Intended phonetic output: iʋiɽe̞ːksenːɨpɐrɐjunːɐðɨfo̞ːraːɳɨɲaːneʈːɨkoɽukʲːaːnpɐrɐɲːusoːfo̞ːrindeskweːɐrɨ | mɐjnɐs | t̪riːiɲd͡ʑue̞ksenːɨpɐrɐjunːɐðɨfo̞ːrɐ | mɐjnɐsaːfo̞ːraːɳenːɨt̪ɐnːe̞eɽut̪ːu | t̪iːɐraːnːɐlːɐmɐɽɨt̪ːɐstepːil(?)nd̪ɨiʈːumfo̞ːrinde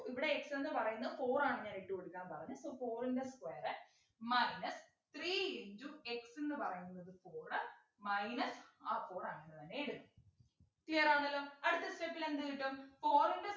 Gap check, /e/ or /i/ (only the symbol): e